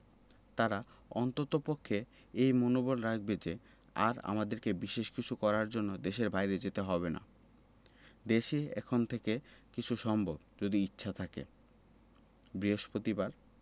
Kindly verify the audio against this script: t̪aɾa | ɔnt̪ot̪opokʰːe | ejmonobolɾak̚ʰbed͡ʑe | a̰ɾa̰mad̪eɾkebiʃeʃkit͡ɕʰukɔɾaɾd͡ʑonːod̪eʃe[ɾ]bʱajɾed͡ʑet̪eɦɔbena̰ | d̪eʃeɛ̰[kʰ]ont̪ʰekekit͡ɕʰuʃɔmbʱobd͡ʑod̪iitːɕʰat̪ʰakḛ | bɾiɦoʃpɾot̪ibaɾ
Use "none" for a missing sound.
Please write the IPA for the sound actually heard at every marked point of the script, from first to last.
ɾ, kʰ

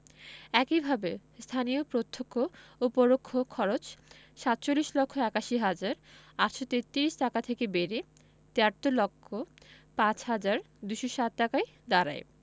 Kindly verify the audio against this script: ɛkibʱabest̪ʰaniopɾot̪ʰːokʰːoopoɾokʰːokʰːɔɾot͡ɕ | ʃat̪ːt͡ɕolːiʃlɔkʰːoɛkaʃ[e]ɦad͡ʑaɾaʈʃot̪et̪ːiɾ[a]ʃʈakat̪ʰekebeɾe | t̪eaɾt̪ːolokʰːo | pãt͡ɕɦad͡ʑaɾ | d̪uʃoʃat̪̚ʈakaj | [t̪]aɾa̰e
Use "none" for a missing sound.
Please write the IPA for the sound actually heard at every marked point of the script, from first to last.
i, i, d̪

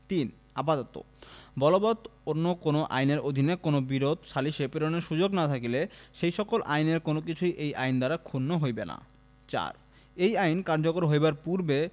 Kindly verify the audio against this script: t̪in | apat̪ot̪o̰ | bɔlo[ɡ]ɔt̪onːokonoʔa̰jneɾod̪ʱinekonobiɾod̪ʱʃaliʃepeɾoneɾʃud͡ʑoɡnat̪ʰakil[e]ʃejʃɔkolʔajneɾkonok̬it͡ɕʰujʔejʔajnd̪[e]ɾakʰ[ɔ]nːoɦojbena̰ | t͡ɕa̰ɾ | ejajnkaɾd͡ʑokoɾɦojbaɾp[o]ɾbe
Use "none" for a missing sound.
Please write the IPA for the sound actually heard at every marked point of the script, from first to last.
b, e, a, u, u

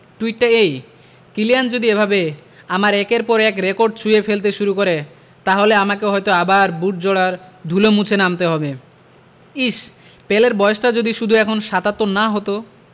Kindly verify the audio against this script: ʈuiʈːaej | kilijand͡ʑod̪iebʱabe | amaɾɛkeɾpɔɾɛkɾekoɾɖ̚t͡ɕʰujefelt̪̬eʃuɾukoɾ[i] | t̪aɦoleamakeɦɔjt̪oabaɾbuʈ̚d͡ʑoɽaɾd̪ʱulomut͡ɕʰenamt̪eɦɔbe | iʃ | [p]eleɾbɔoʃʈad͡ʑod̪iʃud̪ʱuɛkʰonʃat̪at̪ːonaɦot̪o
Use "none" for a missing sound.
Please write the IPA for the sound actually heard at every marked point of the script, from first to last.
e, p

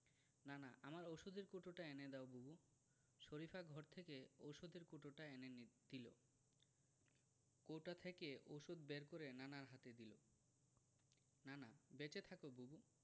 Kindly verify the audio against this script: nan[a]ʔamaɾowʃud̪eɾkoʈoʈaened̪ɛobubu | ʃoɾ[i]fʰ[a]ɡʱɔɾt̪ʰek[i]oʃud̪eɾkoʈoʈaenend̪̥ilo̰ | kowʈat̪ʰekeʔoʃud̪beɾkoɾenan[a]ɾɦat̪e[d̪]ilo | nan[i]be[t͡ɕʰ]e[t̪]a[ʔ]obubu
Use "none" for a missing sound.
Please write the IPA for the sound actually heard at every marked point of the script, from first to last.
a, i, a, e, a, d̪, a, t͡ɕ, t̪ʰ, k

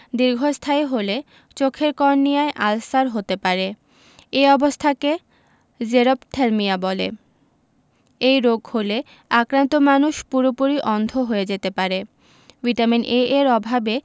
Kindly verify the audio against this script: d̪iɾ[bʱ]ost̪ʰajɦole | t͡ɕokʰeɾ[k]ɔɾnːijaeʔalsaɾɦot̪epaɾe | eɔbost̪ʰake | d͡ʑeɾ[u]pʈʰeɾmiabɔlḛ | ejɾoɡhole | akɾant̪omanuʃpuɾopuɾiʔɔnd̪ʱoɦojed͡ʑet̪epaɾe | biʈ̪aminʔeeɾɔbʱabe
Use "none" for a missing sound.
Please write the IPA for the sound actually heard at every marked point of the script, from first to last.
ɡʱ, k, o

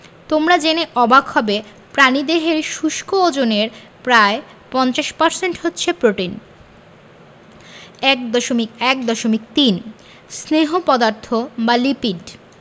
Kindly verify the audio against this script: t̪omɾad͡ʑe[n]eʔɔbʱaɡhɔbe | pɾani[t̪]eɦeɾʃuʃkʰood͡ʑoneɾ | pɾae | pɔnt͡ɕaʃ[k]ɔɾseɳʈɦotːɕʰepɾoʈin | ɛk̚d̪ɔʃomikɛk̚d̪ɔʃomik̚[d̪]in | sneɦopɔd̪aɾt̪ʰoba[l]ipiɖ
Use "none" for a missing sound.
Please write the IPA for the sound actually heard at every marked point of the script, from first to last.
n, d̪, p, t̪, l

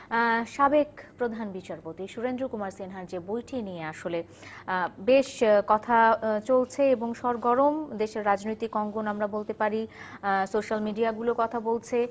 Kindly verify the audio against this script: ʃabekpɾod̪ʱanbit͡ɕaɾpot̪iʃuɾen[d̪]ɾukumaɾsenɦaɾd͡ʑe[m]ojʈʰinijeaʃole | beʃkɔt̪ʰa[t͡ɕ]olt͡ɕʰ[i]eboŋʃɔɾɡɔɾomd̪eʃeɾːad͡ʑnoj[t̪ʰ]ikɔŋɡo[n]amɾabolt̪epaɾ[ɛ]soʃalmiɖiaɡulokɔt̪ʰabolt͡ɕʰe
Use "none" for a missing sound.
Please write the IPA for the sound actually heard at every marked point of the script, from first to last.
d̪, b, t͡ɕ, e, t̪, n, i

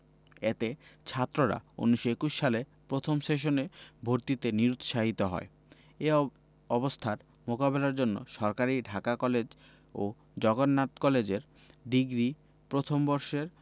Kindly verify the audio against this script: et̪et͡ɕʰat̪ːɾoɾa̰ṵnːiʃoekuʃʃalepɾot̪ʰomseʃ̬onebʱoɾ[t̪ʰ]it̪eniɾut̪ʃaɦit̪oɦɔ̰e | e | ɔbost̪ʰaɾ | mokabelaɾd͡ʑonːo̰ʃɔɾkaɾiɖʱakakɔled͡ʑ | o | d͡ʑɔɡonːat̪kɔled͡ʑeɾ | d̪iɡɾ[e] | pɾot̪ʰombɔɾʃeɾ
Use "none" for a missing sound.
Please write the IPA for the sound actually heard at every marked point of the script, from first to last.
t̪, i

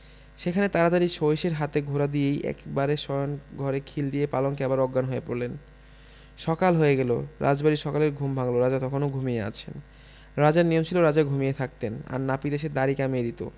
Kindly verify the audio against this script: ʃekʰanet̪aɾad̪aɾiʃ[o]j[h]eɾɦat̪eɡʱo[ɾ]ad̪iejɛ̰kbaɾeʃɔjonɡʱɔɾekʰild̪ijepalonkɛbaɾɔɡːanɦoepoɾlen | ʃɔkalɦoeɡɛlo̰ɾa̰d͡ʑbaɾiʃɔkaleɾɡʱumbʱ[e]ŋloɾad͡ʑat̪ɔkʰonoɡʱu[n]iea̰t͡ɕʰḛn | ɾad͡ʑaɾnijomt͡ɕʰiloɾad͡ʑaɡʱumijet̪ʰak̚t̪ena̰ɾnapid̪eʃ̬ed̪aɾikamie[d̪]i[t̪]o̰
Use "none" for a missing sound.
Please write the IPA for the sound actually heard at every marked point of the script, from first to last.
o, ʃ, ɾ, a, m, d̪, t̪

